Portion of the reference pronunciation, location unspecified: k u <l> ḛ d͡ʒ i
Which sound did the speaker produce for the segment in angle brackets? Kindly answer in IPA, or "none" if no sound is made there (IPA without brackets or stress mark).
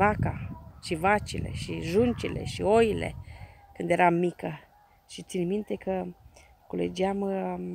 l